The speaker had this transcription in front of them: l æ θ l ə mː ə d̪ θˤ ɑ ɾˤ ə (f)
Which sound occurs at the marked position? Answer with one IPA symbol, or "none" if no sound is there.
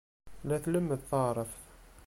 f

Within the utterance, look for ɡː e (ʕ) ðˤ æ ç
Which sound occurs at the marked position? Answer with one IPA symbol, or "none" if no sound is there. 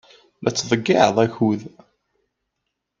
ʕ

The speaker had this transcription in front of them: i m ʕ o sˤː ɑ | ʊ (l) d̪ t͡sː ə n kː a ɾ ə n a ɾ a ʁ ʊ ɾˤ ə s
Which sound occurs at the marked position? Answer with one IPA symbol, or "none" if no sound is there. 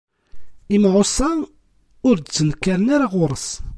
ɾ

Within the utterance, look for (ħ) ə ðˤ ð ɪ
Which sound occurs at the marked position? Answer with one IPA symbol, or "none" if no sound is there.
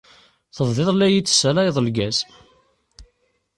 θ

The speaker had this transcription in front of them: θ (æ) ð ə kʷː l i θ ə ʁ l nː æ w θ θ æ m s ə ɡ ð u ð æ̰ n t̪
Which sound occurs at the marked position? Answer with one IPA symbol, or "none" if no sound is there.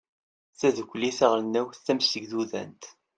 æ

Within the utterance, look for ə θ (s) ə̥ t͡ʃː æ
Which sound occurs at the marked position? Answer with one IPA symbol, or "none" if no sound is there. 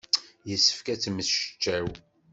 ʃ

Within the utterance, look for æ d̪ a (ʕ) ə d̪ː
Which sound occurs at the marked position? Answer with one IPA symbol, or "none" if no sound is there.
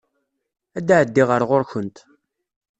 ʕ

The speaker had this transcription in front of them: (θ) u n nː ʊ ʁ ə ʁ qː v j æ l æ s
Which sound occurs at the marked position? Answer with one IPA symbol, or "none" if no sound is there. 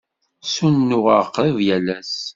s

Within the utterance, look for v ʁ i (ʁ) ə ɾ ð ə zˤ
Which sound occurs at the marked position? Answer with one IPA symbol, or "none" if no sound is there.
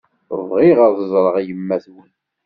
ʁ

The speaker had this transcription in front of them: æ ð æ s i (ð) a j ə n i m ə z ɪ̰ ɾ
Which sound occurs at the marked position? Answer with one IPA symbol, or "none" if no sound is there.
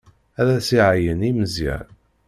ʕ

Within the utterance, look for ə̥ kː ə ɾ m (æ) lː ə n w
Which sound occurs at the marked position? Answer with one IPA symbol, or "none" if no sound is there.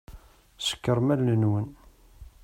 æ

